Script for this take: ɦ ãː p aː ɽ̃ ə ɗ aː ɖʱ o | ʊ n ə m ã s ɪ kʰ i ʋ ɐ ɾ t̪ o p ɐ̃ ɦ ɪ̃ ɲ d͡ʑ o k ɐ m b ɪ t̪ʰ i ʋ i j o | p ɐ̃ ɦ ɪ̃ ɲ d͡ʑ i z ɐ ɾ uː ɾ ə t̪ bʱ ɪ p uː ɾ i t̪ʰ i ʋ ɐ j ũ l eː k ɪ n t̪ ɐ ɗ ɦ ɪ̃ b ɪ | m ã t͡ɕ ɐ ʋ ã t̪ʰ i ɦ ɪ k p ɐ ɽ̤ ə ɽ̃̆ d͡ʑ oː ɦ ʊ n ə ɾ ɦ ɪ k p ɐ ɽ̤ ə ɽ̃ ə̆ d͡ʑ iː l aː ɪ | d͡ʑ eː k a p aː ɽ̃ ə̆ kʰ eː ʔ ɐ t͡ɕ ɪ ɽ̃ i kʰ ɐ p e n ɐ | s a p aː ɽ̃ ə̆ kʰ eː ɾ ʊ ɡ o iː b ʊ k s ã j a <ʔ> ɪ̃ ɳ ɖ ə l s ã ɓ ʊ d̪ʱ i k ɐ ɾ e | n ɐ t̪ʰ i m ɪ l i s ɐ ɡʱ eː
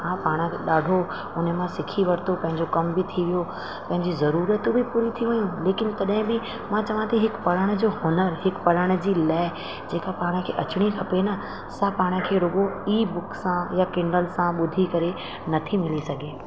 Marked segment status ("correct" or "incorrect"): incorrect